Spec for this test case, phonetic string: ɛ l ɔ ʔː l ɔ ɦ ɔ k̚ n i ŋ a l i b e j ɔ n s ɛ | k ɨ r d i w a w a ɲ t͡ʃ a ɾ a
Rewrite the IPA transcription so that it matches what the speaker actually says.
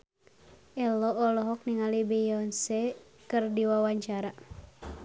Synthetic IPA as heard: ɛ l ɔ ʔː l ɔ ɦ ɔ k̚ n i ŋ a l i b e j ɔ n s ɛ | k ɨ r d i w a w a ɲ t͡ʃ a ɾ a